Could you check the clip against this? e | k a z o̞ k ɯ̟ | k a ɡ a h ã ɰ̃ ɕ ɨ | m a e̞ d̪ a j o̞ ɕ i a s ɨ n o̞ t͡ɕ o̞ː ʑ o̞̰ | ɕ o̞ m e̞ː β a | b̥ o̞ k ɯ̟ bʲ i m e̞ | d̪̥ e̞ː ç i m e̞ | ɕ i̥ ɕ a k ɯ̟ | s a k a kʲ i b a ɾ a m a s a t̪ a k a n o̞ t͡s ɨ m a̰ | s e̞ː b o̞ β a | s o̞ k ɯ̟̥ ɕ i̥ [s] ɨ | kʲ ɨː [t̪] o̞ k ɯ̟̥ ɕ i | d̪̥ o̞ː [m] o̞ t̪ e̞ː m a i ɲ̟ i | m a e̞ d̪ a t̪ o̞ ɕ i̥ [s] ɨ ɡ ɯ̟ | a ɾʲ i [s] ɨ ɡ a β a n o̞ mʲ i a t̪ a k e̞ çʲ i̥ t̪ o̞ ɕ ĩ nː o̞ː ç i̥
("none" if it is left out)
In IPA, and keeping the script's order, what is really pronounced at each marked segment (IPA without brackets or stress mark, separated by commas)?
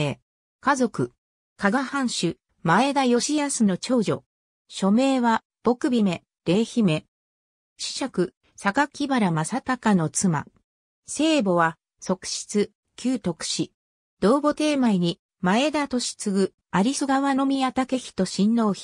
t͡s, t̪, b, t͡s, s